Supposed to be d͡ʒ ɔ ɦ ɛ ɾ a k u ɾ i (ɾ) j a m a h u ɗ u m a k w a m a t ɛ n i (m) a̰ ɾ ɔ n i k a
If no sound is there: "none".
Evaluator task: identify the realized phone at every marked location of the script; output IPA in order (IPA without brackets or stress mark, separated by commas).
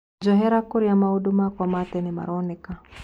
none, m